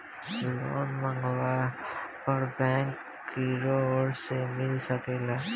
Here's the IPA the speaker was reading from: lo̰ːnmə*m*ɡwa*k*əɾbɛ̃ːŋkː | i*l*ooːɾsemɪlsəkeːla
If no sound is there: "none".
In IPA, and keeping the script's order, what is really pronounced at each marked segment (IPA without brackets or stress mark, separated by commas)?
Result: ŋ, p, ɾ